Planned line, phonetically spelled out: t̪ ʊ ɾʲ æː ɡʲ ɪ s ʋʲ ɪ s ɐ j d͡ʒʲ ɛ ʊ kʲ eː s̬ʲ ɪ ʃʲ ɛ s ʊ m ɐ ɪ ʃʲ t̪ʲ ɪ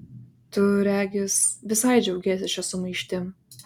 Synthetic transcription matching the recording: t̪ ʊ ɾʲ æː ɡʲ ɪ s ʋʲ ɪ s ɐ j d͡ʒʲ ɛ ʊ ɡʲ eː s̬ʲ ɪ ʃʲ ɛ s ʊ m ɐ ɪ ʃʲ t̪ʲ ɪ